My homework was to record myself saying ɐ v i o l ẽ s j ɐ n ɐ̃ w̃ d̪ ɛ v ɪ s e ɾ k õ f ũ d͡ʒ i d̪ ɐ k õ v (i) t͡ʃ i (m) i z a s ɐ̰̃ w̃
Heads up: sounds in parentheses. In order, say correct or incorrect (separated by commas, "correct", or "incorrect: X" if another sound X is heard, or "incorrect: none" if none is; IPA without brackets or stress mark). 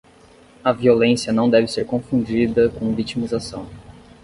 correct, correct